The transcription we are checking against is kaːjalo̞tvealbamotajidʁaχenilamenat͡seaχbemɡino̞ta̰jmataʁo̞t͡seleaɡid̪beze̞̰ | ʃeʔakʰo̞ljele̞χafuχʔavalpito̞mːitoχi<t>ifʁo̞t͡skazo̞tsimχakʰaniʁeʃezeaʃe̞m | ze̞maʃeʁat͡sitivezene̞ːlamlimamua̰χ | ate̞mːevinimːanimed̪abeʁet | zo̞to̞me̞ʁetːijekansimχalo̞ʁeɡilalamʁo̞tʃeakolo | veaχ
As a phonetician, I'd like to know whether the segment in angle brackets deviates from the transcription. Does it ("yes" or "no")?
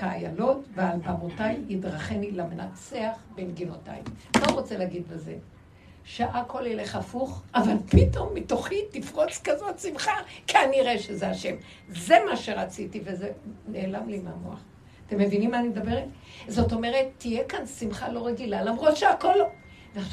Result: no